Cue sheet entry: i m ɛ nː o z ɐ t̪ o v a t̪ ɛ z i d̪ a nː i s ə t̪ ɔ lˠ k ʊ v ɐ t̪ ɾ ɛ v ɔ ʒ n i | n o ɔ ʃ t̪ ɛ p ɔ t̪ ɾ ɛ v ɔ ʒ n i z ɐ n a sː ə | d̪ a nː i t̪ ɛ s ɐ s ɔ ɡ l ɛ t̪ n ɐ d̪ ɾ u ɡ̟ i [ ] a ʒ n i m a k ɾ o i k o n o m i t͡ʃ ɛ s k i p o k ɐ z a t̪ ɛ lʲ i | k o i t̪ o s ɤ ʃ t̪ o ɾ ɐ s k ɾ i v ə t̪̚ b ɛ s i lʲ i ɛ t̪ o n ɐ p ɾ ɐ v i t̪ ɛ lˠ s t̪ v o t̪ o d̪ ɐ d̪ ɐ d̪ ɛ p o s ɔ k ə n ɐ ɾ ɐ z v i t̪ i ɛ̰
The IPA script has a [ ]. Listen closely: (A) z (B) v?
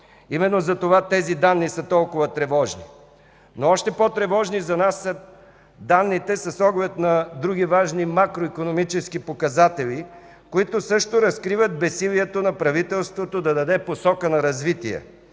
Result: B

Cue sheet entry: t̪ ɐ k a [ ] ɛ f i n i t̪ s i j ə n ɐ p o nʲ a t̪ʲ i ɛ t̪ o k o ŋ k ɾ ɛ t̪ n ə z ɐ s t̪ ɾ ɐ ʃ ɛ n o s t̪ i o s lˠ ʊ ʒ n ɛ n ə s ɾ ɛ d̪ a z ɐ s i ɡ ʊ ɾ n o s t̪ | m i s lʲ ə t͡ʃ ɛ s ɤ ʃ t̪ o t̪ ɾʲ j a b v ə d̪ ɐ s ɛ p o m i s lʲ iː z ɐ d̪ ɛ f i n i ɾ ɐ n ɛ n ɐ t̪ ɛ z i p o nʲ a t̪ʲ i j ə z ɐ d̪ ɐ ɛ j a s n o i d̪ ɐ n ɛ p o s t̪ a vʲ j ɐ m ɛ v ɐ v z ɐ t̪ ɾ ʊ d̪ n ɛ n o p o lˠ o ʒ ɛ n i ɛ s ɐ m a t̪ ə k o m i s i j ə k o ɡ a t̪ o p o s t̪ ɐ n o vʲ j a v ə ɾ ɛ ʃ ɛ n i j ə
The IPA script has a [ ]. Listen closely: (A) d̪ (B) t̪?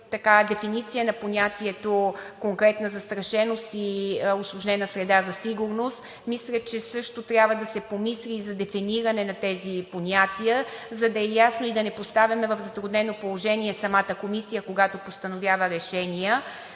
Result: A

